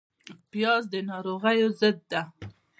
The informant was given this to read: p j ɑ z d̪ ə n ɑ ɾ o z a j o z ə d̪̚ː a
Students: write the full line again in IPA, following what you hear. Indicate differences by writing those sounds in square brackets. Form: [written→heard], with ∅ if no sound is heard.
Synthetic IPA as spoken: p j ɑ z d̪ ə n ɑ ɾ o [z→ɣ] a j o z ə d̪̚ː a